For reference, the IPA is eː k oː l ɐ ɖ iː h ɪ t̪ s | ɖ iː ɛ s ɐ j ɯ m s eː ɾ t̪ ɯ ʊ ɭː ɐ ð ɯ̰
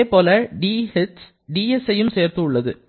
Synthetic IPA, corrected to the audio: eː p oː l ɐ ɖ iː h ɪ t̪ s | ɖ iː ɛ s ɐ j ɯ m s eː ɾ t̪ ɯ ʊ ɭː ɐ ð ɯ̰